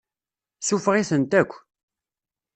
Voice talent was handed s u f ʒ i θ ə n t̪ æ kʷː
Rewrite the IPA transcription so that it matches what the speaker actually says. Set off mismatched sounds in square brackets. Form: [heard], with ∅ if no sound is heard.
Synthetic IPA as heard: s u f [ʁ] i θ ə n t̪ æ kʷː